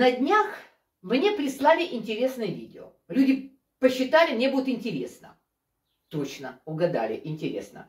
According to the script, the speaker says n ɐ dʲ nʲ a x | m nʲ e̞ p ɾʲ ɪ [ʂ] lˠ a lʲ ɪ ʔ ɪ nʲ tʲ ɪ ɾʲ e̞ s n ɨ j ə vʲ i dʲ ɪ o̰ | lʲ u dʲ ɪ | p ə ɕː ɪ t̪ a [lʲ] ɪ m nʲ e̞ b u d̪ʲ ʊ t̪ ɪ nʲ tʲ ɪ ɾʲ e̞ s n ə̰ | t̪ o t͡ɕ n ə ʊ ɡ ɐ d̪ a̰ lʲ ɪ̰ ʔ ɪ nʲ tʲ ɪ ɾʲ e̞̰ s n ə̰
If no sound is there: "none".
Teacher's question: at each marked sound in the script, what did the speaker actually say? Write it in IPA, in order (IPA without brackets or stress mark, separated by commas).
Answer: s, lʲ